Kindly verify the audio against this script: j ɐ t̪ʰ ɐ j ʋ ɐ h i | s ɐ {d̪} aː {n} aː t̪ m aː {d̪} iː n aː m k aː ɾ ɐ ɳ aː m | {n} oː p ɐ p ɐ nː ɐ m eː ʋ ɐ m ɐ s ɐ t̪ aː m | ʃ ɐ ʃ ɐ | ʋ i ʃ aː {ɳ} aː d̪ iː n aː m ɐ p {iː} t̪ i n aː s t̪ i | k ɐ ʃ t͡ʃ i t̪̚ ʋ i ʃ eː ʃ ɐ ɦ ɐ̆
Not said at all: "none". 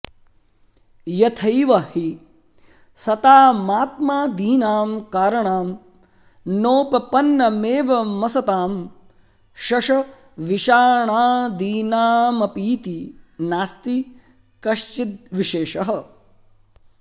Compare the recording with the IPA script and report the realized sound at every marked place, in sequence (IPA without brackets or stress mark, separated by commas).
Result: t̪, m, d̪, n, ɳ, iː